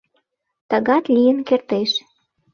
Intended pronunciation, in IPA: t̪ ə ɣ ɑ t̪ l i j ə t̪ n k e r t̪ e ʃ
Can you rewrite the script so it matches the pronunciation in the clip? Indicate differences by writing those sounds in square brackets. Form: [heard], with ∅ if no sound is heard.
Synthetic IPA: t̪ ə ɣ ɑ t̪ l i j ə [∅] n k e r t̪ e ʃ